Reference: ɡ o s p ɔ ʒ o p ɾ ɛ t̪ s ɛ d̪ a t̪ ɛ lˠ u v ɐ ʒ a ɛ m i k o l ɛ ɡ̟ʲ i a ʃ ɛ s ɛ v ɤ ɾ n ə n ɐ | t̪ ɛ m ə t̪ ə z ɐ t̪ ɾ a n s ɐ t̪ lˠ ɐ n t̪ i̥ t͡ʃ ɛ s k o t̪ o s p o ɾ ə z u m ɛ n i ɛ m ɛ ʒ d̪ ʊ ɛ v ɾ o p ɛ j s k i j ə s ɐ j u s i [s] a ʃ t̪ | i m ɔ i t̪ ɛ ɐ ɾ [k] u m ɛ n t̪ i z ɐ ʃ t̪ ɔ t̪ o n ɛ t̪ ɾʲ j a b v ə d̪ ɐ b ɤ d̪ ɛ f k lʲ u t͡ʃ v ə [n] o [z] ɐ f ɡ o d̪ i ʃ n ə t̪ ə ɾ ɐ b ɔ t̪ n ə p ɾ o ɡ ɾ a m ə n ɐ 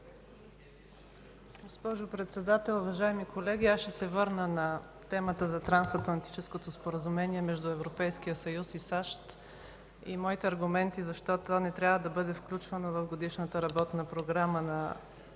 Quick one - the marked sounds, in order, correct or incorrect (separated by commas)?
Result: correct, incorrect, correct, incorrect